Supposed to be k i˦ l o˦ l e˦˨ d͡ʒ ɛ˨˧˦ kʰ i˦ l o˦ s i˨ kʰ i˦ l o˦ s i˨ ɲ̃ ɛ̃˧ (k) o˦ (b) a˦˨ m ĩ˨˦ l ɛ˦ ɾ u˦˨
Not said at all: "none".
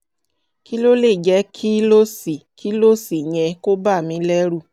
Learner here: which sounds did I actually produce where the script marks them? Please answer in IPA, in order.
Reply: k, b

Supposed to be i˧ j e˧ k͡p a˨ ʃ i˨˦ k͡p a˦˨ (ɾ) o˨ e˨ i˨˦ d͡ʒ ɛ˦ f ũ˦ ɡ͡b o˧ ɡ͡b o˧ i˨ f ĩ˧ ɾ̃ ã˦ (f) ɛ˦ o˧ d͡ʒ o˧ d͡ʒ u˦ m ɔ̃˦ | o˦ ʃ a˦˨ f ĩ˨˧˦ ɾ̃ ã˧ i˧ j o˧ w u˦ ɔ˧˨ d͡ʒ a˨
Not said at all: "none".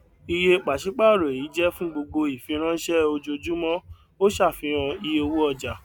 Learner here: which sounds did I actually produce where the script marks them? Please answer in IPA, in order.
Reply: ɾ, ʃ

